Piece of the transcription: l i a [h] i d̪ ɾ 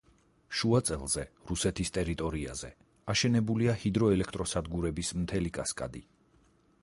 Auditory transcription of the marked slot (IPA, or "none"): h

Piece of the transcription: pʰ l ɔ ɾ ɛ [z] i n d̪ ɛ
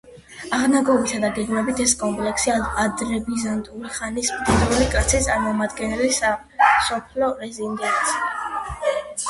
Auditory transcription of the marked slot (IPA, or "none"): z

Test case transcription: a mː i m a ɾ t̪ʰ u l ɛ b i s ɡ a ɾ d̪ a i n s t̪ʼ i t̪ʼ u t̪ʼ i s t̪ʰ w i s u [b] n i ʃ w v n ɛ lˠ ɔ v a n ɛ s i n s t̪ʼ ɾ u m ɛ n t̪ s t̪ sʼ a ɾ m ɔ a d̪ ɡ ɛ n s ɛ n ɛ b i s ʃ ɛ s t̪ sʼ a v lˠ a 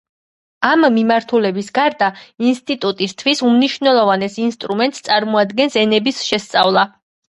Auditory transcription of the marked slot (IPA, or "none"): m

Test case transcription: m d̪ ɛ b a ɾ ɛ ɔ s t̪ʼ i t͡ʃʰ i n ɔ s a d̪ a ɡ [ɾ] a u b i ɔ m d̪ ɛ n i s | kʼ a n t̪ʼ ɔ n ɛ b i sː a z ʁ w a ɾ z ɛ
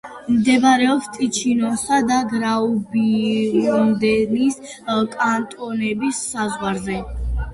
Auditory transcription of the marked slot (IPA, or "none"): ɾ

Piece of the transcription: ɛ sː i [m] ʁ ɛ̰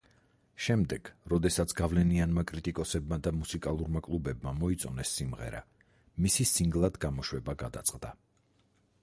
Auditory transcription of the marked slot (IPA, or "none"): m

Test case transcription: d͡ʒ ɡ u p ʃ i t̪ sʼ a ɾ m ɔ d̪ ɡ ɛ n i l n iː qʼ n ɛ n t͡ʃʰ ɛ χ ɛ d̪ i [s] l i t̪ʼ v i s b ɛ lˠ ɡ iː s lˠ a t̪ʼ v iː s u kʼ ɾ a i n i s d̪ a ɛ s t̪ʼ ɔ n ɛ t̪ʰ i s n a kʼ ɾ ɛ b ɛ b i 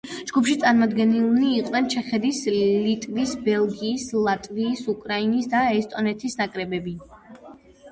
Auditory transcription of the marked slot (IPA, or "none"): s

